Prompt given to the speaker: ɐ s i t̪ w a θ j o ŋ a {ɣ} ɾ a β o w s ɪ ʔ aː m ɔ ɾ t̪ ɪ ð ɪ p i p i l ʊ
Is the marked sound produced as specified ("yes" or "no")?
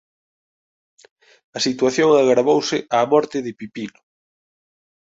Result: yes